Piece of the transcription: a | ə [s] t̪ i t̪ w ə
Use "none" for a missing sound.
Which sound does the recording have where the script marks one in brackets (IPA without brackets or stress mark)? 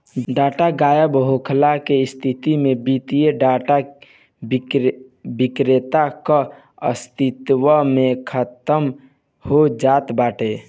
s